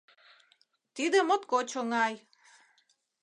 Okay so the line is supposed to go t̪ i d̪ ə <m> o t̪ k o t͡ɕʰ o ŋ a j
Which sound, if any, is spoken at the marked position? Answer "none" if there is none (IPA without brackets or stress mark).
m